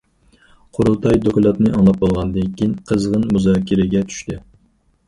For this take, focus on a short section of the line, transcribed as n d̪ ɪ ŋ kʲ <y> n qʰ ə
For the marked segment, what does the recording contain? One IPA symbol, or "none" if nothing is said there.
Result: i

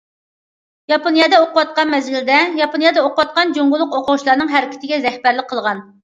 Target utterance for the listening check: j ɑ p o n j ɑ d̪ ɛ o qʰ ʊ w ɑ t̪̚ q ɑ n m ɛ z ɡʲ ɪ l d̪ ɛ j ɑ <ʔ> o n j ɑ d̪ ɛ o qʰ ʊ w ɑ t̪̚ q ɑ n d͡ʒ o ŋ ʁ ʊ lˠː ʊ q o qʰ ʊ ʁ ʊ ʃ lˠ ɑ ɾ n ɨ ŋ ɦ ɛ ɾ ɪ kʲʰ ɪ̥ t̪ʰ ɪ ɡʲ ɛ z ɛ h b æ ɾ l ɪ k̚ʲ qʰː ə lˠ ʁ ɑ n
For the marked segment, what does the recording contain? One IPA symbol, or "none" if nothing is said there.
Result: p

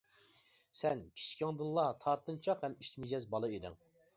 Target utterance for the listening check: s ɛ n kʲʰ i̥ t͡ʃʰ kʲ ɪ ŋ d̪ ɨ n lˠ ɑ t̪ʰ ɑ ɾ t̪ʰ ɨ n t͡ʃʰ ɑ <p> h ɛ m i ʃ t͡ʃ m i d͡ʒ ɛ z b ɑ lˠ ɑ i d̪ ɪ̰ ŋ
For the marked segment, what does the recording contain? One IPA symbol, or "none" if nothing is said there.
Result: q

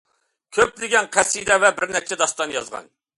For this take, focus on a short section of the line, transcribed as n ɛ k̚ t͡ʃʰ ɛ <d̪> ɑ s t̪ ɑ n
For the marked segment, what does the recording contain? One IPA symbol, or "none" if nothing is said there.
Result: d̪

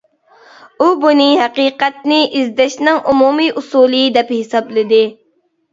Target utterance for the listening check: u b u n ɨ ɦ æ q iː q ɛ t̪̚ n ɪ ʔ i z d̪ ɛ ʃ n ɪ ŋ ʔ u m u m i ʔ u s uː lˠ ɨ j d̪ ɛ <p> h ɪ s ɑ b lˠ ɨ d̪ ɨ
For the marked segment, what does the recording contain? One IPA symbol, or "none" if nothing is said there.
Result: p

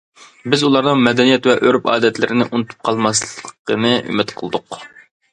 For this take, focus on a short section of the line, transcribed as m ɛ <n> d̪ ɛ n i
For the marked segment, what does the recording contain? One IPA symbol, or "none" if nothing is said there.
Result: none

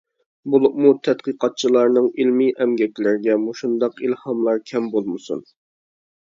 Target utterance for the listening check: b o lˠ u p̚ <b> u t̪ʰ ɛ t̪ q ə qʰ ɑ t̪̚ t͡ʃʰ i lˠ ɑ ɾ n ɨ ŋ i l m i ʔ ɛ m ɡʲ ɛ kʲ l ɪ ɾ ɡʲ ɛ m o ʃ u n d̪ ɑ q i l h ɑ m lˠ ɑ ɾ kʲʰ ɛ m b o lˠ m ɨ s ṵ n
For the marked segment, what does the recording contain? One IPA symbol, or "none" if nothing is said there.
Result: m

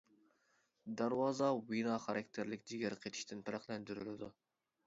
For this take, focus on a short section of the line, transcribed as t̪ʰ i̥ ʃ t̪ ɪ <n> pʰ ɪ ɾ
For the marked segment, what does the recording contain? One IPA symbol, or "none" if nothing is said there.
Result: n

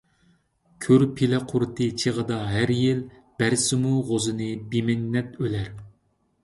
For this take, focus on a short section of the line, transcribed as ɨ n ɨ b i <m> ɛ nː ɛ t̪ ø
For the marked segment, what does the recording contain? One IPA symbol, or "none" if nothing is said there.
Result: m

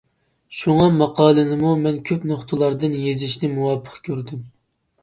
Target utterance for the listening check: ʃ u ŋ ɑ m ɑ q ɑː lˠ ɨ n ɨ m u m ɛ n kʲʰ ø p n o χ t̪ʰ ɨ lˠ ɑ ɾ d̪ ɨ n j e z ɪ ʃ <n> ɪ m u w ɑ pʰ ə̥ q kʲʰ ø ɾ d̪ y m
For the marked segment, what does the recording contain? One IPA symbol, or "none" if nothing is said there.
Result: n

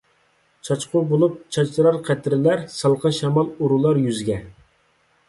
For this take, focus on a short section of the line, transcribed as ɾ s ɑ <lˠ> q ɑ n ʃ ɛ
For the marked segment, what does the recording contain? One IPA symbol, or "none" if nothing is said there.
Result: lˠ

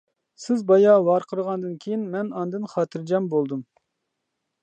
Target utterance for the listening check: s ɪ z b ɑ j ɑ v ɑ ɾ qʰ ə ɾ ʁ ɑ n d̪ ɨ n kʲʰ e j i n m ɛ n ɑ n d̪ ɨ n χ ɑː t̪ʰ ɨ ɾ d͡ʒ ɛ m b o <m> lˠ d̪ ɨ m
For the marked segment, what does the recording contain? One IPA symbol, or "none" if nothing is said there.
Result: none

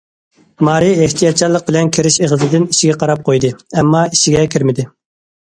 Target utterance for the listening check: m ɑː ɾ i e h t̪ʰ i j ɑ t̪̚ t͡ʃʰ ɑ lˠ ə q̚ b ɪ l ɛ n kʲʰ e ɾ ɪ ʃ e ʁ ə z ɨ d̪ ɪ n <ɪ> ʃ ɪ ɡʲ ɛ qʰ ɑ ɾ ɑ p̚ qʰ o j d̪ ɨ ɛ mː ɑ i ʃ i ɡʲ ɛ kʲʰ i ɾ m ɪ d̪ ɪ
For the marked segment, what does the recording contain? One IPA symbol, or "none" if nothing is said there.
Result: i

